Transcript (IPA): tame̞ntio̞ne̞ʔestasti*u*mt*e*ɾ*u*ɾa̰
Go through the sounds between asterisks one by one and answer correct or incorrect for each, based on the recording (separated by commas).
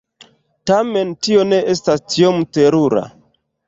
incorrect, correct, correct